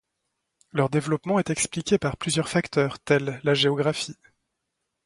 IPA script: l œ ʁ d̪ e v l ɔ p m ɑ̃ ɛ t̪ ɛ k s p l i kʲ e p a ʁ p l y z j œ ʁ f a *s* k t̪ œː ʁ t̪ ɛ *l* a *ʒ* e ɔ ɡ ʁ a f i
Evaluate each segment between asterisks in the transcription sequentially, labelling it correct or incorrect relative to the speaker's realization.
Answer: incorrect: none, incorrect: lː, correct

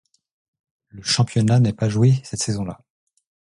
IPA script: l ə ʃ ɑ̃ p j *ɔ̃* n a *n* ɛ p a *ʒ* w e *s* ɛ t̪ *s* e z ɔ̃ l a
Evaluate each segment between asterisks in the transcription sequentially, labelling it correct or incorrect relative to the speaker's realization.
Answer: incorrect: ɔ, correct, correct, correct, correct

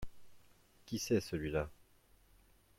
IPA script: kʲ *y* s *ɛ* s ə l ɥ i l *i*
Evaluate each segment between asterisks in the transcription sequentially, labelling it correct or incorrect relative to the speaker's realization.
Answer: incorrect: i, correct, incorrect: a

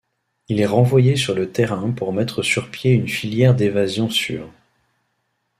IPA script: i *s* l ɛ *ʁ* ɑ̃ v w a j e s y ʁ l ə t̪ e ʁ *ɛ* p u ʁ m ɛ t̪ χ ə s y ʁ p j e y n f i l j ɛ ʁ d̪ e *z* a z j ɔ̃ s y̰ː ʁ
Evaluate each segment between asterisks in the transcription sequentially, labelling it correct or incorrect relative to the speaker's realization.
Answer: incorrect: none, correct, incorrect: ɛ̃, incorrect: v

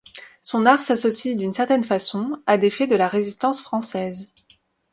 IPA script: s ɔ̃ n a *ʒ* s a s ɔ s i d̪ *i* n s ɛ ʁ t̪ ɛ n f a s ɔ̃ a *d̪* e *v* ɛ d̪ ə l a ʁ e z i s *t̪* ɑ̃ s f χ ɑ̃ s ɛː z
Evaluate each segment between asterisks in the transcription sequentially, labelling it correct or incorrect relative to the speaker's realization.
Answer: incorrect: ʁ, incorrect: y, correct, incorrect: f, correct

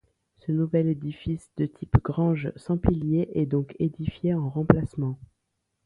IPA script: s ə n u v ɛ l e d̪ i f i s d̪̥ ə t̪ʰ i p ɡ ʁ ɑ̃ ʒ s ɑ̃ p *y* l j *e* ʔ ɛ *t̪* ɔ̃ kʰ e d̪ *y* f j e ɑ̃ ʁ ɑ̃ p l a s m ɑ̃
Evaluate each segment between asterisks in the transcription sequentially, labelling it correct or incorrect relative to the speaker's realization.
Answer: incorrect: i, correct, incorrect: d̪, incorrect: i

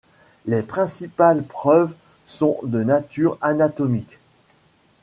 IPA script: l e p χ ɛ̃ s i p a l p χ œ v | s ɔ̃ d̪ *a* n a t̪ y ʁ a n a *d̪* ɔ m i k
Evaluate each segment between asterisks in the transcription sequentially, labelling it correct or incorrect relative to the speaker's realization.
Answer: incorrect: ə, incorrect: t̪

